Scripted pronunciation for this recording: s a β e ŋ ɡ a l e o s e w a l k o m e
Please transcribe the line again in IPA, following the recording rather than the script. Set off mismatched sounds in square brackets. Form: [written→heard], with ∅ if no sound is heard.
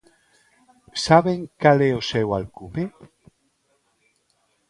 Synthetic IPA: s a β e ŋ [ɡ→k] a l e o s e w a l k [o→u] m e